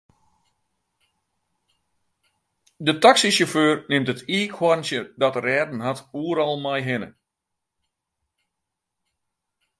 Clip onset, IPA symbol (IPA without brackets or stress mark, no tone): d